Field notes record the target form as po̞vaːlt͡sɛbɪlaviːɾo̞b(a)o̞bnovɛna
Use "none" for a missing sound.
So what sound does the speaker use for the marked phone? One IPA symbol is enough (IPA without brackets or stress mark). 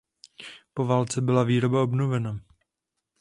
a